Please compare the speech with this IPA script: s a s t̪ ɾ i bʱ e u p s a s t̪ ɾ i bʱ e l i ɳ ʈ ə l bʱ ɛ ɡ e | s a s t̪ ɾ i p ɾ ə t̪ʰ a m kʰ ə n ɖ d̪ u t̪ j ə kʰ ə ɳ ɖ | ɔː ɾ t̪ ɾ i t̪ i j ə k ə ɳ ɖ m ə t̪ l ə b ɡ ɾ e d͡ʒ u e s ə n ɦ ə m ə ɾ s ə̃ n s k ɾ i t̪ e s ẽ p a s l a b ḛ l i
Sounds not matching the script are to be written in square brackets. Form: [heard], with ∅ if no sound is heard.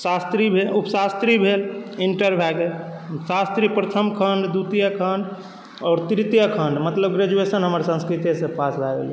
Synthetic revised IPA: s a s t̪ ɾ i bʱ e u p s a s t̪ ɾ i bʱ e l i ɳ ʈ ə [ɾ] bʱ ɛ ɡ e | s a s t̪ ɾ i p ɾ ə t̪ʰ [ə] m kʰ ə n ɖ d̪ u t̪ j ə kʰ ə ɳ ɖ | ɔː ɾ t̪ ɾ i t̪ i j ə [kʰ] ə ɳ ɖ m ə t̪ l ə b ɡ ɾ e d͡ʒ u e s ə n ɦ ə m ə ɾ s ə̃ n s k ɾ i t̪ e s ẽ p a s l a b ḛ l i